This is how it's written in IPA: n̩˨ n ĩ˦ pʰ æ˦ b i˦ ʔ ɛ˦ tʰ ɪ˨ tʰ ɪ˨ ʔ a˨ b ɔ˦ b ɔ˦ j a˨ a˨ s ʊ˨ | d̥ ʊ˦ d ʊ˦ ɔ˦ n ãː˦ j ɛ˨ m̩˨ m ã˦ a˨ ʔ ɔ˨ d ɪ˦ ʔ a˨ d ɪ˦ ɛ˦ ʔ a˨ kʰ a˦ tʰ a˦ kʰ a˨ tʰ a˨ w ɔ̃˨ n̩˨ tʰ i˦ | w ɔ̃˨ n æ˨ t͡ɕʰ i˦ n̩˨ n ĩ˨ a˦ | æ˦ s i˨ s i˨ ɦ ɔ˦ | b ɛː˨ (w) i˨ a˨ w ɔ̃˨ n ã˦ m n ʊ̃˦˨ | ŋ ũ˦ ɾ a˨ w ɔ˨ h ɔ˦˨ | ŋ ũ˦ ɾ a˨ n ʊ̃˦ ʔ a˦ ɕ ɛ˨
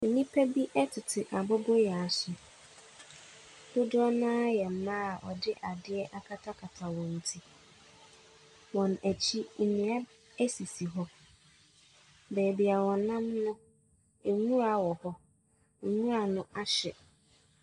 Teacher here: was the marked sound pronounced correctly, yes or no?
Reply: no